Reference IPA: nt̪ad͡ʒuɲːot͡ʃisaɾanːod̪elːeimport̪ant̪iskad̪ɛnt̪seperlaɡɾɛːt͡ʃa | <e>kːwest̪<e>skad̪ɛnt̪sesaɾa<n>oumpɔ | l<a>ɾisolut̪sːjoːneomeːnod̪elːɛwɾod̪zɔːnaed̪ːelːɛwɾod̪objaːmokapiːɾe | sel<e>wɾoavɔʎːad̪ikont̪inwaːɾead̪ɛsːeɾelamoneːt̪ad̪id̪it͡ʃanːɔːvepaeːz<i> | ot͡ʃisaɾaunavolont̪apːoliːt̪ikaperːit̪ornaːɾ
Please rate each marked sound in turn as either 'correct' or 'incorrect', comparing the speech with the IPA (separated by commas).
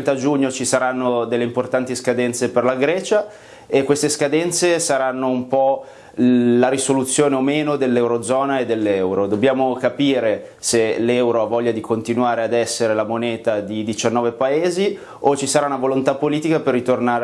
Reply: correct, correct, incorrect, correct, incorrect, correct